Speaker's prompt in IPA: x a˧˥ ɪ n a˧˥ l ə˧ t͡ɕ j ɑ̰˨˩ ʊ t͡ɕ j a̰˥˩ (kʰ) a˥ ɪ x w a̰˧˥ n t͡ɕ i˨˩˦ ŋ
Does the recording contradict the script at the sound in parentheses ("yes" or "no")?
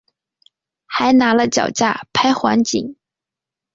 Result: yes